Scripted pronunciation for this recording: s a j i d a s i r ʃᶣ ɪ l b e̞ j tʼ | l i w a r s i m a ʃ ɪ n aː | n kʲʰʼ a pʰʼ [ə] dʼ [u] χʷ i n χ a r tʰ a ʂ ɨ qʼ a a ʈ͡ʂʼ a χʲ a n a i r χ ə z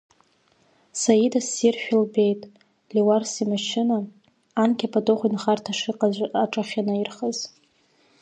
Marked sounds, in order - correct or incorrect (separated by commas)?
incorrect, incorrect